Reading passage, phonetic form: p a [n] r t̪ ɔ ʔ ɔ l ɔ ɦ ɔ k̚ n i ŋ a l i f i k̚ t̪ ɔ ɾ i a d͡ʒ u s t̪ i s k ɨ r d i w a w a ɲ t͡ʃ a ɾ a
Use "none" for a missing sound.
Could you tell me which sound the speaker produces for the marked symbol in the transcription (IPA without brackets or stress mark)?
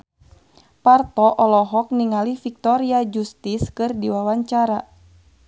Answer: none